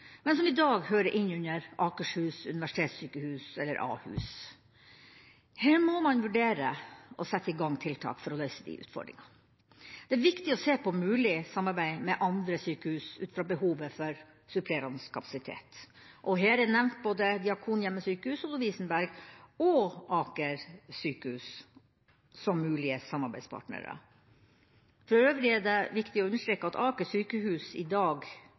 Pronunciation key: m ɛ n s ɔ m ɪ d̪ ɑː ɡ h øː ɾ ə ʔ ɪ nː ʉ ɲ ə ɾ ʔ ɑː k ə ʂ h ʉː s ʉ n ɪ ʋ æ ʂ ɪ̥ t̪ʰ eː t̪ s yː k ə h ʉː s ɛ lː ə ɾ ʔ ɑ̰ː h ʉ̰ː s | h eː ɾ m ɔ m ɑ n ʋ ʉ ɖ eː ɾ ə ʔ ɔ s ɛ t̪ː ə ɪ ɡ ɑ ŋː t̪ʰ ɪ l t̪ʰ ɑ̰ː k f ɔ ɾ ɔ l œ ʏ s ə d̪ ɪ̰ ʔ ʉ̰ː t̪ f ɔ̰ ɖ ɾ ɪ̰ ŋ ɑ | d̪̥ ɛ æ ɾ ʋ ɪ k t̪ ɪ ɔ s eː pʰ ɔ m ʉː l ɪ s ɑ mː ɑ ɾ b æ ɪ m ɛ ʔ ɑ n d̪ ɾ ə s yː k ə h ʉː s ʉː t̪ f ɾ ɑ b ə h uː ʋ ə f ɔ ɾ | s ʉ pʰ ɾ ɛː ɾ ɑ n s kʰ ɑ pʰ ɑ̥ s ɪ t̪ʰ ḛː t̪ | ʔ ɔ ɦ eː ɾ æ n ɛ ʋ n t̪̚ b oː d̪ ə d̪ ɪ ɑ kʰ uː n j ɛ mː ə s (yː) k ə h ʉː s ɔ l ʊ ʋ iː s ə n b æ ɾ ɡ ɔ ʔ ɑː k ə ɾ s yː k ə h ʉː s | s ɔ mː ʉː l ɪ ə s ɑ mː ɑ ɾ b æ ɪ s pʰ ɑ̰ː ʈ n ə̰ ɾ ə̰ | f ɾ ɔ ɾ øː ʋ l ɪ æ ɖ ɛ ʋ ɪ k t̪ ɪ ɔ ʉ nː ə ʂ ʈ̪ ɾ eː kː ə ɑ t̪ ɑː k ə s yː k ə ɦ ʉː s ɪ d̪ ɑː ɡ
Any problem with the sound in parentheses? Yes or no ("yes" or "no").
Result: no